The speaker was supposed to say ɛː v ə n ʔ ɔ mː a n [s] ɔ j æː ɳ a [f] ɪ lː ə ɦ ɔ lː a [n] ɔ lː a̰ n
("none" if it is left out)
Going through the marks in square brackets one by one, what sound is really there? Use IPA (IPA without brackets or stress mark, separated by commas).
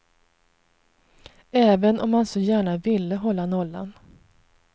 s, v, n